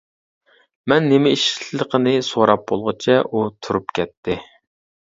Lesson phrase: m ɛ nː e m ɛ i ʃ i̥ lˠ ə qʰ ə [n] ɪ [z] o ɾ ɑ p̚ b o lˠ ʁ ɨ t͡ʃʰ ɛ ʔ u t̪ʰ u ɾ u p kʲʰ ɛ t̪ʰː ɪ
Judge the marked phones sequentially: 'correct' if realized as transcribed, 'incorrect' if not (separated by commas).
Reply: correct, incorrect